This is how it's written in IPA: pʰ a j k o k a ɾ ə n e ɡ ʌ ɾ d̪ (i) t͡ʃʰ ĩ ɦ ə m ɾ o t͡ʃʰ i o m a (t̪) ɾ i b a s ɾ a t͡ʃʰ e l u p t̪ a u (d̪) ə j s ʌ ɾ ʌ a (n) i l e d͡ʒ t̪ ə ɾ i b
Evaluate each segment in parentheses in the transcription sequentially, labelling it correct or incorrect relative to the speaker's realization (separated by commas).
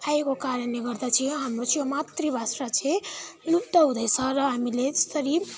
incorrect, correct, correct, incorrect